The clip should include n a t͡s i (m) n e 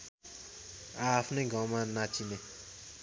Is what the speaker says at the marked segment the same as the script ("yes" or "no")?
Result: no